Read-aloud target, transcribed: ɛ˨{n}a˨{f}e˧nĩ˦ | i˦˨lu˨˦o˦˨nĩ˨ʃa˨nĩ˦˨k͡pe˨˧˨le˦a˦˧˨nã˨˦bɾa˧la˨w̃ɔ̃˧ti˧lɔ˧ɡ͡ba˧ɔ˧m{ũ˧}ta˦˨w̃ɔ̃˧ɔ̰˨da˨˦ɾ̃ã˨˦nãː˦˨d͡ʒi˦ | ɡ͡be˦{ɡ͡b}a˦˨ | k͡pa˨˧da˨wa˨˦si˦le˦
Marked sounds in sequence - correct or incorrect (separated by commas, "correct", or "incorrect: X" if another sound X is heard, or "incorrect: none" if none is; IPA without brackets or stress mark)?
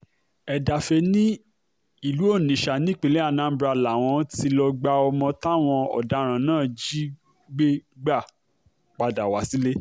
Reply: incorrect: d, correct, incorrect: ɔ̃˧, correct